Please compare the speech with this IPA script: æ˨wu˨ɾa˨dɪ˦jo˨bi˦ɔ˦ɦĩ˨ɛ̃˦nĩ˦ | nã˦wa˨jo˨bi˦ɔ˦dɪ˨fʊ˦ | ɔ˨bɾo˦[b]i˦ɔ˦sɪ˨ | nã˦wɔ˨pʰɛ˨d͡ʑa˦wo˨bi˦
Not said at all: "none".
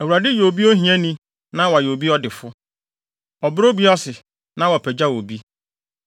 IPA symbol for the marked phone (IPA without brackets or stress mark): b